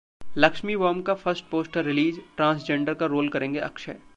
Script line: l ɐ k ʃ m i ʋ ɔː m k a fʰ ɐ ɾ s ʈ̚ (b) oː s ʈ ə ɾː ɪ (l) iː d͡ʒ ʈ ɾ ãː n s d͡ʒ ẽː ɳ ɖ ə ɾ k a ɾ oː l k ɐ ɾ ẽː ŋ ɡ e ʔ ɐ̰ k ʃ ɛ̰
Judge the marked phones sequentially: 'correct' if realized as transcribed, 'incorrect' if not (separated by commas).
incorrect, correct